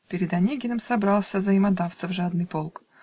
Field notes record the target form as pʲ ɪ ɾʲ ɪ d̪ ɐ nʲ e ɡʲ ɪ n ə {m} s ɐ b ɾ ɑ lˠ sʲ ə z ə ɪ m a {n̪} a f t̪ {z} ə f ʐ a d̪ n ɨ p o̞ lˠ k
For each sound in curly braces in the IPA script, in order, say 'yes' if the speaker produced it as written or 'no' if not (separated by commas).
yes, no, no